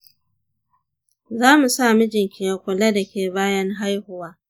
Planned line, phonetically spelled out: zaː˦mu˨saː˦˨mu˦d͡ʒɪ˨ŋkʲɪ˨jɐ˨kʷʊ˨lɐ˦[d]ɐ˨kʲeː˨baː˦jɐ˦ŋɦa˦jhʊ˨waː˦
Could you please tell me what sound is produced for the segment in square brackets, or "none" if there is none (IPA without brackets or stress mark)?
d